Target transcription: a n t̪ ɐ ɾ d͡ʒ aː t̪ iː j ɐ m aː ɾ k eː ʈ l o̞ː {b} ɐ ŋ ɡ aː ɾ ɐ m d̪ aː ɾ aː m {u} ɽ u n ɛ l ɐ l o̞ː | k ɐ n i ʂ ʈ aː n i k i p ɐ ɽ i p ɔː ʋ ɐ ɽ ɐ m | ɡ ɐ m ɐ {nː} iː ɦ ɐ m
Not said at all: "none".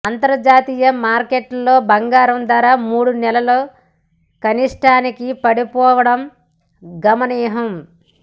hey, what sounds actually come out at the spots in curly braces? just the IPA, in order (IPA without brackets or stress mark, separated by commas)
b, uː, n